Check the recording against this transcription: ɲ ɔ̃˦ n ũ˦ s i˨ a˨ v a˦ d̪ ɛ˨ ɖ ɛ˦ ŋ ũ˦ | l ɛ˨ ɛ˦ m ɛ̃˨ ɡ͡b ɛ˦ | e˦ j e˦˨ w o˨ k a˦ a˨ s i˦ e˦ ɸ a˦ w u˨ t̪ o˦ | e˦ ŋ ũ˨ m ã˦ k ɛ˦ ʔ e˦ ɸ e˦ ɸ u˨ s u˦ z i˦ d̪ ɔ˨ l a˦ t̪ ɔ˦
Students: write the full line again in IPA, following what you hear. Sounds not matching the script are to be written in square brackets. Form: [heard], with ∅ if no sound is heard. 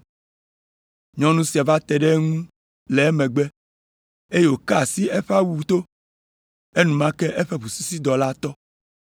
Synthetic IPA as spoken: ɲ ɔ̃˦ n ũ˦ s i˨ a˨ v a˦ [t̪] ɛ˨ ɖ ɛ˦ ŋ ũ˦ | l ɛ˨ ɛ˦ m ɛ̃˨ ɡ͡b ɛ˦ | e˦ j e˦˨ w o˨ k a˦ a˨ s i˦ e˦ ɸ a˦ w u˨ t̪ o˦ | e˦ [n] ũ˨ m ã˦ k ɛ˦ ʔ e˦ ɸ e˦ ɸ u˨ s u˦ [s] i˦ d̪ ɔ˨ l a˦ t̪ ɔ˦